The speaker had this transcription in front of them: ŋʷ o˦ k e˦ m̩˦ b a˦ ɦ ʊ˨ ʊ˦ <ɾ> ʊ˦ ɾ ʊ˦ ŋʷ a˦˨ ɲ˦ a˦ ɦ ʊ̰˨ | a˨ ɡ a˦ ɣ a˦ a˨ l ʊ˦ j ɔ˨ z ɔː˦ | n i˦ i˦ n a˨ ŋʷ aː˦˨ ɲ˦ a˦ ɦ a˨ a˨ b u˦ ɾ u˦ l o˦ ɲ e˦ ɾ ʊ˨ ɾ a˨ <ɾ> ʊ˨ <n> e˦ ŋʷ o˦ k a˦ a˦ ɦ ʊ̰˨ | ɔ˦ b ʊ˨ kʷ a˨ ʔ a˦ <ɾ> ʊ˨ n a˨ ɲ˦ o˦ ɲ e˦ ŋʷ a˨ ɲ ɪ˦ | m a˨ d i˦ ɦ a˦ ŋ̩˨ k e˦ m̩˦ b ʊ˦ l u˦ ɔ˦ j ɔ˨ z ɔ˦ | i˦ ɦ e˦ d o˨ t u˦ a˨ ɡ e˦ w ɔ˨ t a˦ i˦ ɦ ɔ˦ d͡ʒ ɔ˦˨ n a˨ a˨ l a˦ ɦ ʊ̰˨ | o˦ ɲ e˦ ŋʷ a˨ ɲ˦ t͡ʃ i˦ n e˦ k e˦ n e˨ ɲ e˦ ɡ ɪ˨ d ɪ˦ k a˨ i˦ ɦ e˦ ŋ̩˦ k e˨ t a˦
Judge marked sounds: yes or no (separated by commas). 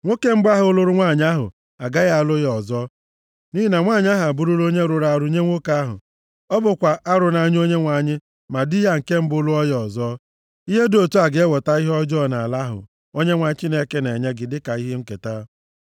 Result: no, yes, no, yes